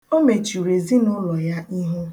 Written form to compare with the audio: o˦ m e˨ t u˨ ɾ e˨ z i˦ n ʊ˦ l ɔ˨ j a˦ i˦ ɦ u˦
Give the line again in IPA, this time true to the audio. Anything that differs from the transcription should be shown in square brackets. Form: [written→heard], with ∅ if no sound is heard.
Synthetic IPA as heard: o˦ m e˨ [t→t͡ʃ] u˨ ɾ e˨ z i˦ n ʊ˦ l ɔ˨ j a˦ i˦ ɦ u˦